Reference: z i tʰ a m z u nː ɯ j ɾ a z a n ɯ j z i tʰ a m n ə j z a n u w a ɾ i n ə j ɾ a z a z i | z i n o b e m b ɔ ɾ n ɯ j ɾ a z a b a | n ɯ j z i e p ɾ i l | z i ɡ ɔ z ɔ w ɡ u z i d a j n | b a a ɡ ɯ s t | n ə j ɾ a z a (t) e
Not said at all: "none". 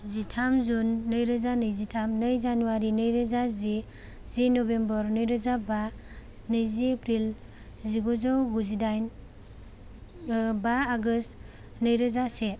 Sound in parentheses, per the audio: s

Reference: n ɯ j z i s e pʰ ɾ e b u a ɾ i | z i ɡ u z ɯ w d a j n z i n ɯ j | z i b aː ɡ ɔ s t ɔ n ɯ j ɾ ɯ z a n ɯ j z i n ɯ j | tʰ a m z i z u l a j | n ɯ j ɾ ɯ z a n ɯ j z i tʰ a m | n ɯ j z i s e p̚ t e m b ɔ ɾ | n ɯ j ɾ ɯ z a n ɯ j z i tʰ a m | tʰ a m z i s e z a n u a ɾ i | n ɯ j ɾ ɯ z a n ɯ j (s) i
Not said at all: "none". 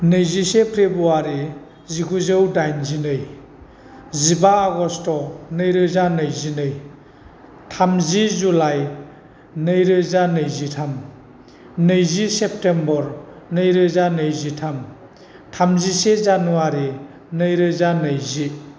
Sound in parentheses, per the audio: z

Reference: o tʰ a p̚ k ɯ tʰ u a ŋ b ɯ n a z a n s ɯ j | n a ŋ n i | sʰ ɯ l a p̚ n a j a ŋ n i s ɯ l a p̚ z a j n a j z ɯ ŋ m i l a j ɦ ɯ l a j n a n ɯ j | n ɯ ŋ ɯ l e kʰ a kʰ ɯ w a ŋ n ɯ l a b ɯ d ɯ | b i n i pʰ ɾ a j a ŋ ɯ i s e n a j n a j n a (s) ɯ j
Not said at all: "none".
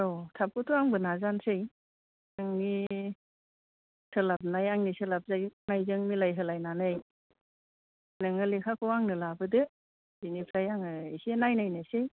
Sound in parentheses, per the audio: s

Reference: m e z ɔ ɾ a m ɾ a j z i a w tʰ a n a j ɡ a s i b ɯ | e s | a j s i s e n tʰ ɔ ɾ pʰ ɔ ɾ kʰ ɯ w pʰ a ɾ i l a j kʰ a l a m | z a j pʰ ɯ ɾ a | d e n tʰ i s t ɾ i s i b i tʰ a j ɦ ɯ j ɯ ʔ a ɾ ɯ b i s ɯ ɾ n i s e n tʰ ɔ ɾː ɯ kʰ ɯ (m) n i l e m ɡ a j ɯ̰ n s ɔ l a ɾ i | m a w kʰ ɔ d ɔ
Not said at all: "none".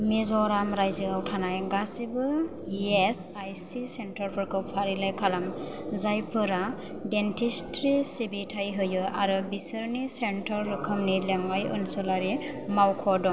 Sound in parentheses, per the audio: m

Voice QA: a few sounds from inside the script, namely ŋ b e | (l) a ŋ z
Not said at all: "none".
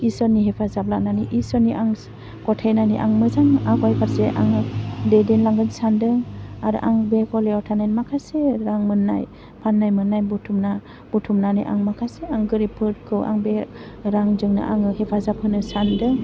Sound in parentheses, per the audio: ɾ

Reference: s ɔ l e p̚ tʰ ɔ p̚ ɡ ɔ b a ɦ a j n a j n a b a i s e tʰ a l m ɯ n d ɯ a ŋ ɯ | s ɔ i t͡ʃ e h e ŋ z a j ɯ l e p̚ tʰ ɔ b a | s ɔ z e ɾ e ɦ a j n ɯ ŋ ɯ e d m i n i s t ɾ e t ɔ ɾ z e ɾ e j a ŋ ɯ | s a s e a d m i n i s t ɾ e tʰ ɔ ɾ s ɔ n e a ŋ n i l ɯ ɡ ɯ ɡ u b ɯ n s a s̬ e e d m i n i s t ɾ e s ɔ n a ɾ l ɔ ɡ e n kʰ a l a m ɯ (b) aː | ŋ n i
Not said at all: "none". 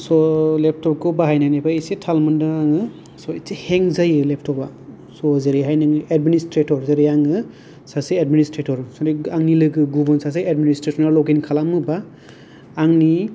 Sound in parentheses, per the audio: b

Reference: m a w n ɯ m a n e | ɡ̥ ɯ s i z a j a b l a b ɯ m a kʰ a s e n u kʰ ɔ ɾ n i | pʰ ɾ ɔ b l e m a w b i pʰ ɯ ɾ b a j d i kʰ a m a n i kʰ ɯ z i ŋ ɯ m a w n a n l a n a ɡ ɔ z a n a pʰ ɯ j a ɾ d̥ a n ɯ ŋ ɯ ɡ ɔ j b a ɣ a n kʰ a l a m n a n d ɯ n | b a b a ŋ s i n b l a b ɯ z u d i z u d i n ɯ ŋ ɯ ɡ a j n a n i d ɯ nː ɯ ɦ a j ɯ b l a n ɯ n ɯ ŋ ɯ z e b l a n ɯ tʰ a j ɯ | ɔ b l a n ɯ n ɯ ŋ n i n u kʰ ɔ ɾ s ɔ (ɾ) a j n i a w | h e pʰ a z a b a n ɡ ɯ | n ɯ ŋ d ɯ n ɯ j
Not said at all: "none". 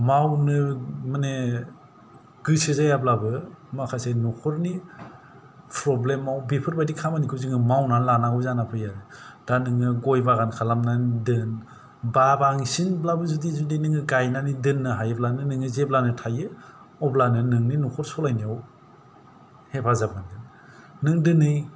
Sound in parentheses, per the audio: l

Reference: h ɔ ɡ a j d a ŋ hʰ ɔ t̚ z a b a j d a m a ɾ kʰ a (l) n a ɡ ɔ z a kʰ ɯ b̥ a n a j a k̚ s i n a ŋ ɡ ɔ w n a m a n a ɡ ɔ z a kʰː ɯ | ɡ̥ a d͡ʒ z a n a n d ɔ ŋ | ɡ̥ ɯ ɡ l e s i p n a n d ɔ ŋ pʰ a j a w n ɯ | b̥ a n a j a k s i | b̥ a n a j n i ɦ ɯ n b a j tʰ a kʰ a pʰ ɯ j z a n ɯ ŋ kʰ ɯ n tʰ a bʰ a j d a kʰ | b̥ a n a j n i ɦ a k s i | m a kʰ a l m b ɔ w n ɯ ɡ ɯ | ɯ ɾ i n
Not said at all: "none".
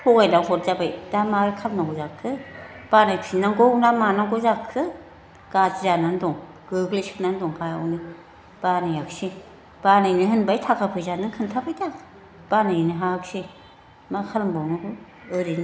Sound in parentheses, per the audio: l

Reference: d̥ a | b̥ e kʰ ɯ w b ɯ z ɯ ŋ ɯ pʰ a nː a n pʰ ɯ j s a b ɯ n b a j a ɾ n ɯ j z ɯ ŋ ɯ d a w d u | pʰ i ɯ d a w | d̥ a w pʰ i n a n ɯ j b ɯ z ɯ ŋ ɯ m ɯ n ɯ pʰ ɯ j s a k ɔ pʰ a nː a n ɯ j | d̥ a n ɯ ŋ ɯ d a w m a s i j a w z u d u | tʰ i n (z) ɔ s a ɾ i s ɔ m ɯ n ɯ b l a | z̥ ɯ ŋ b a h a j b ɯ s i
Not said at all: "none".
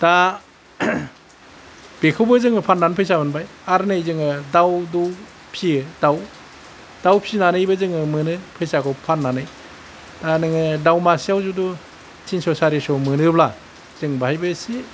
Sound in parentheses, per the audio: s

